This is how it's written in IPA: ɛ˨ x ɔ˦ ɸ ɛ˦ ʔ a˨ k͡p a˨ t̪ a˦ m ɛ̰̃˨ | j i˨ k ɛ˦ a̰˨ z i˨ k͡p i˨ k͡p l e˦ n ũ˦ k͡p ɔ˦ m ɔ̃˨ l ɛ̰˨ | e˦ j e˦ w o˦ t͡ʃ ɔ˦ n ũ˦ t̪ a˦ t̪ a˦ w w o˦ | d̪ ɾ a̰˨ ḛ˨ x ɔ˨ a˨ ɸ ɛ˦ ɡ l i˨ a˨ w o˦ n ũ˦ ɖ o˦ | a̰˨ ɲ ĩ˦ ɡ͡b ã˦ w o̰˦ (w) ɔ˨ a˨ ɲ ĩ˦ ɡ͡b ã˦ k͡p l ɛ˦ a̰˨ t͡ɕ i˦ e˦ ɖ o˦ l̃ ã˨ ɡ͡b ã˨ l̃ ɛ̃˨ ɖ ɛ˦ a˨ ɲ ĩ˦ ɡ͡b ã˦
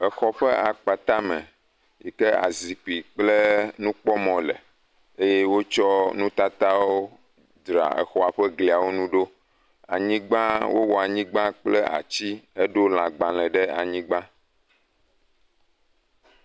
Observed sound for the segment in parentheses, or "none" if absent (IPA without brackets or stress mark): w